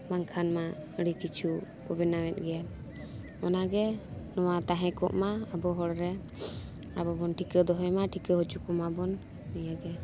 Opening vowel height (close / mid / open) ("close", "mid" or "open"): open